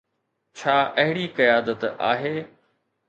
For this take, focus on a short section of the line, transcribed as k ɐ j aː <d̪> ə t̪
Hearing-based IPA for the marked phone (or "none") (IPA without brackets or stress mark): d̪